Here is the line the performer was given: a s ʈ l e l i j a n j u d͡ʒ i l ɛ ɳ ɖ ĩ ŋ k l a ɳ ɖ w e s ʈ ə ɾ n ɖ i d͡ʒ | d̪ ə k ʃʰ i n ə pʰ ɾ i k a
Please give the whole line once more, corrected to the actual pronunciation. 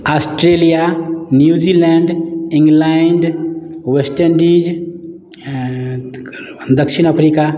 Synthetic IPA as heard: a s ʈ ɾ e l i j a n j u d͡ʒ i l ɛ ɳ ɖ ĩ ŋ ɡ l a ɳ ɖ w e s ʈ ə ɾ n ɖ i d͡ʒ | d̪ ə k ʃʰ i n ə pʰ ɾ i k a